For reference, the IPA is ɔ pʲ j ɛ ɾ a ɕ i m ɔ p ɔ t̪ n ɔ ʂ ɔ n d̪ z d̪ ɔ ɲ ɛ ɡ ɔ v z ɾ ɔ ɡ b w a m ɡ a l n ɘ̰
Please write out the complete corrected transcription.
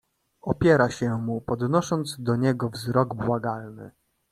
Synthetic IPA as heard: ɔ pʲ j ɛ ɾ a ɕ ɛ m u p ɔ d̪ n ɔ ʂ ɔ n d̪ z d̪ ɔ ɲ ɛ ɡ ɔ v z ɾ ɔ ɡ b w a ɡ a l n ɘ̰